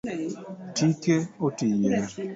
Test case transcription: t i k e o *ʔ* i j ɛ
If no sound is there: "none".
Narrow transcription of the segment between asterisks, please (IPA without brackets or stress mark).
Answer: t